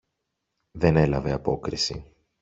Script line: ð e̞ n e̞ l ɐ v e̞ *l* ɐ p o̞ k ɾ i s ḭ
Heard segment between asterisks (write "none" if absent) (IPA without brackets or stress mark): none